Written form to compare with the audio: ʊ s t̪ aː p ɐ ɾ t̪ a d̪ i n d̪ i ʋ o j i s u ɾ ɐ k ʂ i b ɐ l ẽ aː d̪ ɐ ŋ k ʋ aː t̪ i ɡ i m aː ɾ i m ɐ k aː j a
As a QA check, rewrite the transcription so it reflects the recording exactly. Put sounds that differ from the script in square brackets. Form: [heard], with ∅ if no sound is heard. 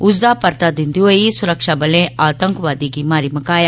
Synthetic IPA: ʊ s [d̪] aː p ɐ ɾ t̪ a d̪ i n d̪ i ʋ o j i s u ɾ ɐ k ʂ [a] b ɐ l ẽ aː [t̪] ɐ ŋ k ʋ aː [d̪] i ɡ i m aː ɾ i m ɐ k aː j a

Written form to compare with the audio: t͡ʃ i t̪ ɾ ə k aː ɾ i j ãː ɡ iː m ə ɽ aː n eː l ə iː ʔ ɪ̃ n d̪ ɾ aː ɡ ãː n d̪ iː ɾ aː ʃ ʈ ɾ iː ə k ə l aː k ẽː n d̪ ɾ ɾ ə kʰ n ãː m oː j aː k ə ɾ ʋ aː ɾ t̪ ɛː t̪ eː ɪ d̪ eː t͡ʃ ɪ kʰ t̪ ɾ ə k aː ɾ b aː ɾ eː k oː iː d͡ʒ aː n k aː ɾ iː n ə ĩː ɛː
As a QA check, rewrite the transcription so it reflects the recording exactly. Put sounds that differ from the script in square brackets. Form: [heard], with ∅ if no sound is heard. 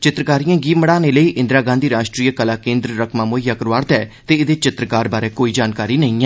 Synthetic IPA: t͡ʃ [ɪ] t̪ ɾ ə k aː ɾ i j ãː ɡ iː m ə ɽ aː n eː l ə iː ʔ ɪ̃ n d̪ ɾ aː ɡ ãː n d̪ iː ɾ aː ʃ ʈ ɾ iː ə k ə l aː k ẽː n d̪ ɾ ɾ ə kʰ [m] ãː m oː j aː k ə ɾ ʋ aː ɾ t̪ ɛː t̪ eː ɪ d̪ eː t͡ʃ ɪ [∅] t̪ ɾ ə k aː ɾ b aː ɾ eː k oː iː d͡ʒ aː n k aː ɾ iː n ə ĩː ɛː

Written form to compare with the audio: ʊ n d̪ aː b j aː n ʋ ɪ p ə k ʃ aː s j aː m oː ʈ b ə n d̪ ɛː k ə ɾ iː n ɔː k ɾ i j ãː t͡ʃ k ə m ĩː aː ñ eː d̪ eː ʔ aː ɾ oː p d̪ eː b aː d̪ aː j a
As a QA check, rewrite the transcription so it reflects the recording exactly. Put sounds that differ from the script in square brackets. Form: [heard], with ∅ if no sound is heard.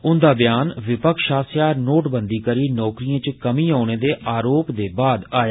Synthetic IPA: ʊ n d̪ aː b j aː n ʋ ɪ p ə k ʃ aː s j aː [n] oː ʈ b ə n d̪ [iː] k ə ɾ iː n ɔː k ɾ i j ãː t͡ʃ k ə m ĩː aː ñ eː d̪ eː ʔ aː ɾ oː p d̪ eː b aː d̪ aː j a

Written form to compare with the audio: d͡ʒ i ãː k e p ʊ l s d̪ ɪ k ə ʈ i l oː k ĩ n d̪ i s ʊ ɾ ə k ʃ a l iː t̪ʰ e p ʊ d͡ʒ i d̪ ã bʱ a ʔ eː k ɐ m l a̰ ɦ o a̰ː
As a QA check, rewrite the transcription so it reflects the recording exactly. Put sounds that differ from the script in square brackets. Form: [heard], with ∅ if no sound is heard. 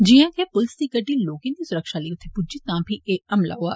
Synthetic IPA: d͡ʒ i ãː k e p ʊ l s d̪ [i] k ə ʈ i l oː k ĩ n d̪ i s ʊ ɾ ə k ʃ a l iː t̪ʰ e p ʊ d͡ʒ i [t̪] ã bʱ [i] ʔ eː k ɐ m l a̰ ɦ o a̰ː

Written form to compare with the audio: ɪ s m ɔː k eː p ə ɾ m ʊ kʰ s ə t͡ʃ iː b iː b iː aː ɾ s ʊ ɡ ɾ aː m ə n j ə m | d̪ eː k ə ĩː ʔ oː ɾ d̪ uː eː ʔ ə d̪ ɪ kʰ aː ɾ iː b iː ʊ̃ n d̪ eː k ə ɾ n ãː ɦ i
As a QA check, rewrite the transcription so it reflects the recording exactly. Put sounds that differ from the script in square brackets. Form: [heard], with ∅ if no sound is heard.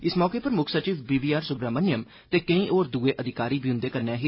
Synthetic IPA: ɪ s m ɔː k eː p ə ɾ m ʊ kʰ s ə t͡ʃ iː b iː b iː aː ɾ s ʊ ɡ ɾ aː m ə n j ə m | [t̪] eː k ə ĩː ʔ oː ɾ d̪ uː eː ʔ ə d̪ ɪ [k] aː ɾ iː b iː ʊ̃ n d̪ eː k ə ɾ n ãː ɦ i

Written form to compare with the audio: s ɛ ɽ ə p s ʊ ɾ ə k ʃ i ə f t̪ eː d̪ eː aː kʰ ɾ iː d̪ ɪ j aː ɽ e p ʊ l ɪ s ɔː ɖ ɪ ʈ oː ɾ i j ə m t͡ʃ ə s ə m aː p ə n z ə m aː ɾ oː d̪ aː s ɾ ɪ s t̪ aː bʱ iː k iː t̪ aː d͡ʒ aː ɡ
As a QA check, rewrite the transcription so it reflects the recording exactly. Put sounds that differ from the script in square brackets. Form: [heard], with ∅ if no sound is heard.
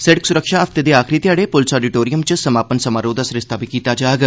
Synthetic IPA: s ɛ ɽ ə [k] s ʊ ɾ ə k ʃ [a] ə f t̪ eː d̪ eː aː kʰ ɾ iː [t̪] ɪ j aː ɽ e p ʊ l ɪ s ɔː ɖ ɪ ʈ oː ɾ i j ə m t͡ʃ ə s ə m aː p ə n [s] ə m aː ɾ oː d̪ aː s ɾ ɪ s t̪ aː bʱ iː k iː t̪ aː d͡ʒ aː ɡ

